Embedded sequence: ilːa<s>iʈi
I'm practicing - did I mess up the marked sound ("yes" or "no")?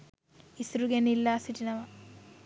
no